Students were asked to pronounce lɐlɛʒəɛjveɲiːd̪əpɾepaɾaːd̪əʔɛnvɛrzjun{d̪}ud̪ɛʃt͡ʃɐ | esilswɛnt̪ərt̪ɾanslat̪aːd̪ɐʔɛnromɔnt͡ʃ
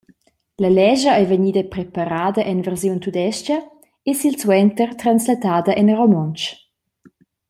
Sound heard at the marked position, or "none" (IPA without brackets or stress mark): t̪